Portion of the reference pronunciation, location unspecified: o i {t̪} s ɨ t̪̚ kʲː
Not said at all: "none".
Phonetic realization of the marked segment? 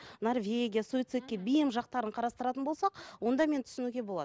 t̪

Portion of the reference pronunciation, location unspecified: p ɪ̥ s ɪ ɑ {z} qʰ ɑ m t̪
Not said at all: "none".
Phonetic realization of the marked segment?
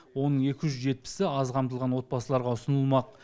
z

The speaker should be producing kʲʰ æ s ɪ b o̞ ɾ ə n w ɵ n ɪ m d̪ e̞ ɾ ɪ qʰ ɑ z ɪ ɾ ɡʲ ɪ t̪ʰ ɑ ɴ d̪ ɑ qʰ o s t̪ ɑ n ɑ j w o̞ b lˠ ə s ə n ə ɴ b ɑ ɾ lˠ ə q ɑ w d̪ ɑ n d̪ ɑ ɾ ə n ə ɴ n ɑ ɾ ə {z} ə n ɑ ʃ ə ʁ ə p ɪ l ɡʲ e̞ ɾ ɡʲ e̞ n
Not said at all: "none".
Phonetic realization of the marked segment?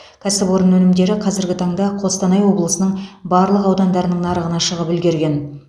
ʁ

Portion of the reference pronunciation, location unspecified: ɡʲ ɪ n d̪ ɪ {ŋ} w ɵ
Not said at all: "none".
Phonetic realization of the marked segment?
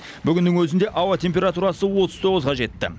ŋ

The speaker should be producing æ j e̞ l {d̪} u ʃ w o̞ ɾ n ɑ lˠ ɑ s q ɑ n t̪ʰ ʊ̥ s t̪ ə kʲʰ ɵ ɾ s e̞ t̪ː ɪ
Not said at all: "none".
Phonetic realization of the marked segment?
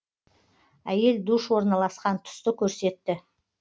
d̪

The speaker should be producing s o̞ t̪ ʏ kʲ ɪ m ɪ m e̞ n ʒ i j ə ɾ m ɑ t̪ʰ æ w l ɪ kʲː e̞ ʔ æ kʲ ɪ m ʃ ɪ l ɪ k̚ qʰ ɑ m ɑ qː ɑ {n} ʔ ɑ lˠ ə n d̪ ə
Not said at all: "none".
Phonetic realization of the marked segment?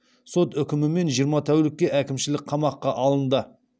none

